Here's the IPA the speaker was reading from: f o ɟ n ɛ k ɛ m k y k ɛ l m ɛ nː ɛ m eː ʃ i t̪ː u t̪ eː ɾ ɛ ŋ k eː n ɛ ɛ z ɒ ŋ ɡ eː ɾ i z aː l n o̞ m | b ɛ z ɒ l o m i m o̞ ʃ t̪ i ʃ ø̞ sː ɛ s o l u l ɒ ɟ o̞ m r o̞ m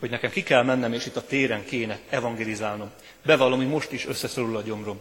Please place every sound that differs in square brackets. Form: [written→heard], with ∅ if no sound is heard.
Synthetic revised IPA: [f→h] o ɟ n ɛ k ɛ m k [y→i] k ɛ l m ɛ nː ɛ m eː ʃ i t̪ː [u→ɒ] t̪ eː ɾ ɛ ŋ k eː n ɛ ɛ [z→v] ɒ ŋ ɡ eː [ɾ→l] i z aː l n o̞ m | b ɛ [z→v] ɒ l o m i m o̞ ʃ t̪ i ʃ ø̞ sː ɛ s o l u l ɒ ɟ o̞ m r o̞ m